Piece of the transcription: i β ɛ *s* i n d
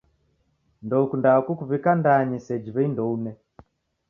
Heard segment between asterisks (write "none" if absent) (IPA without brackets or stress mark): none